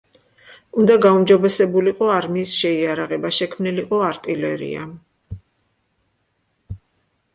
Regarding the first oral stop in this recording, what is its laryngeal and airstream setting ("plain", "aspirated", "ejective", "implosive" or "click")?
plain